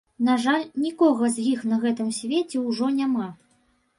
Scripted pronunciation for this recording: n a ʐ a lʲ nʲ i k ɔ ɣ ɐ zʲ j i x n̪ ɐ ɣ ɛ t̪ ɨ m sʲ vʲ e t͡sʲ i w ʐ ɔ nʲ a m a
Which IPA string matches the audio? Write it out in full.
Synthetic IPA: n a ʐ a lʲ nʲ i k ɔ ɣ ɐ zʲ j i x n̪ ɐ ɣ ɛ t̪ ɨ m sʲ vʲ e t͡sʲ ɛ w ʐ ɔ nʲ a m a